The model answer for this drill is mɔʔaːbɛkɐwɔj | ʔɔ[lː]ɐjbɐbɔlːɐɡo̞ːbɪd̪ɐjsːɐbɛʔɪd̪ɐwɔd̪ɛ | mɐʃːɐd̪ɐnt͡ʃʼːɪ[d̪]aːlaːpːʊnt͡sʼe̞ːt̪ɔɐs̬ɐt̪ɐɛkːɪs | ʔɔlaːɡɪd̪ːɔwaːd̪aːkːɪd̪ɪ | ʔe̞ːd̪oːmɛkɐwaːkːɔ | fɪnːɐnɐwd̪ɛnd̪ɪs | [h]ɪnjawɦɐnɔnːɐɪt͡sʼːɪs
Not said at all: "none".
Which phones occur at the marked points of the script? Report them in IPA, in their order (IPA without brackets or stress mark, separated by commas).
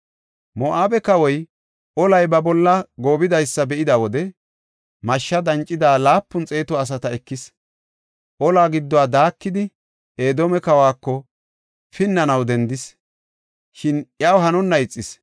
l, d̪, ʃ